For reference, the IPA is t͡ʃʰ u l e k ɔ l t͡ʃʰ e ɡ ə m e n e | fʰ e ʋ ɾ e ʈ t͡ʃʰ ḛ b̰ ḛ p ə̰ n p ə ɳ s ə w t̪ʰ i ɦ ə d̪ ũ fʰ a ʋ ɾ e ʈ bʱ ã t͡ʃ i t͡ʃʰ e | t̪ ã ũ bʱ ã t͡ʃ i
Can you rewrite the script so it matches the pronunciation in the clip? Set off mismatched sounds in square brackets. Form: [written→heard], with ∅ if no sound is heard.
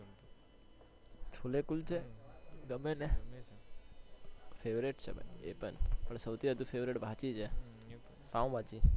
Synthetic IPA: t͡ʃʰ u l e k [ɔ→u] l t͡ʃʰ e ɡ ə m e n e | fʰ e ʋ ɾ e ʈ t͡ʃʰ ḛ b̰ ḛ p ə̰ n p ə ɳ s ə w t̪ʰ i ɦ ə d̪ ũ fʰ [a→e] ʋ ɾ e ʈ bʱ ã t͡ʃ i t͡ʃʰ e | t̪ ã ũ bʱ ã t͡ʃ i